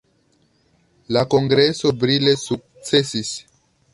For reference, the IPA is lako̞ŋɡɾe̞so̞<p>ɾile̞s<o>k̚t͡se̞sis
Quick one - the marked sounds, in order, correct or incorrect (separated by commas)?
incorrect, incorrect